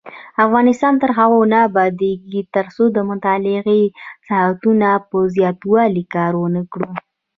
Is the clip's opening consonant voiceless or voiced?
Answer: voiceless